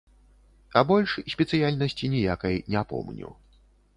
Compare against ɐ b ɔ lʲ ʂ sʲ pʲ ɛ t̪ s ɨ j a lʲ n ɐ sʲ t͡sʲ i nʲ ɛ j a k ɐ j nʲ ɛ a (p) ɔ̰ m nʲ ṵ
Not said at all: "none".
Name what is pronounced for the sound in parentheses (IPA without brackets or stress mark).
p